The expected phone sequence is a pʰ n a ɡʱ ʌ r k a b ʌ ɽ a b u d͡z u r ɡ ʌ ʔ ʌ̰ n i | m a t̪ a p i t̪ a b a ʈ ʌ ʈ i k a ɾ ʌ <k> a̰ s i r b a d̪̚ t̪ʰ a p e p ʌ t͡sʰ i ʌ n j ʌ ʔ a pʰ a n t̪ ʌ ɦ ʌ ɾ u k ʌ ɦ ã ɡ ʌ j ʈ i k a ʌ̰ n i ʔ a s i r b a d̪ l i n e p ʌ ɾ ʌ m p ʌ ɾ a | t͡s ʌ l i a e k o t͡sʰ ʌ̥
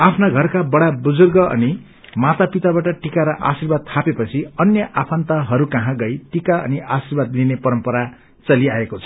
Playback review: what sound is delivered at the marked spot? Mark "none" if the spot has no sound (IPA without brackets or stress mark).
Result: ʔ